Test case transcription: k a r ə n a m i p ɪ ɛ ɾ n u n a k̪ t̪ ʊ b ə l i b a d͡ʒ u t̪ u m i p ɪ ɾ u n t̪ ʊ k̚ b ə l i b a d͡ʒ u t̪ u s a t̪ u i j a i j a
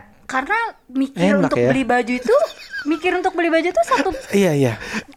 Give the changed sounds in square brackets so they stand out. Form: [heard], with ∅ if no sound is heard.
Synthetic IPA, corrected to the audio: k a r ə n a m i [k] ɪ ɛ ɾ n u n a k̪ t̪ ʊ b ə l i b a d͡ʒ u t̪ u m i [k] ɪ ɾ u n t̪ ʊ k̚ b ə l i b a d͡ʒ u t̪ u s a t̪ u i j a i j a